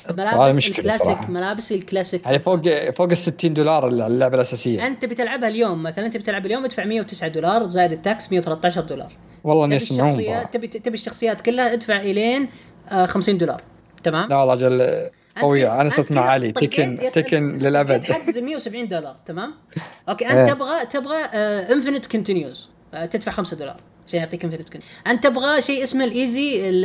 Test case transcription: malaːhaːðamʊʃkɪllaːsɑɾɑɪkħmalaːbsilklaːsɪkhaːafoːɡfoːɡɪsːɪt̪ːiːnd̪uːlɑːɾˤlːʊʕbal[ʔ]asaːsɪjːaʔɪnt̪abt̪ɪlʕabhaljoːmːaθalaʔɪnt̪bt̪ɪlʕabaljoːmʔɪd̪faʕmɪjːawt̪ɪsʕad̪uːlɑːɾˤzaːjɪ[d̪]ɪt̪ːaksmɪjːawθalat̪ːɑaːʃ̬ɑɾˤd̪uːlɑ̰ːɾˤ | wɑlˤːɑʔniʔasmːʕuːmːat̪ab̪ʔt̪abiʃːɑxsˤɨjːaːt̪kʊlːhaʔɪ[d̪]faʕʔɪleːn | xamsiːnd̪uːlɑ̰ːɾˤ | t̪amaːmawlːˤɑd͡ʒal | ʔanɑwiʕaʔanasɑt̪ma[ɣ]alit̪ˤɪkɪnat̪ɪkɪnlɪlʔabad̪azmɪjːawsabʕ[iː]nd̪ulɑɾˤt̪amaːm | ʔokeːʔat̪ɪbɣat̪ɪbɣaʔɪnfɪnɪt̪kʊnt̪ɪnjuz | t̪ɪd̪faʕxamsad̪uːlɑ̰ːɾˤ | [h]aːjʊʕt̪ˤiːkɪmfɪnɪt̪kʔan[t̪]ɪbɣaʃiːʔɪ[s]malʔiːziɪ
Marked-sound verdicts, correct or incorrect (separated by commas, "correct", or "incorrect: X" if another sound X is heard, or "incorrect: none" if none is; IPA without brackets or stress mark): correct, correct, correct, incorrect: ʕ, correct, incorrect: ʃ, correct, correct